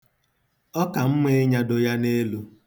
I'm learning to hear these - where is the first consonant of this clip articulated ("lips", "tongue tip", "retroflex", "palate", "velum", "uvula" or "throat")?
velum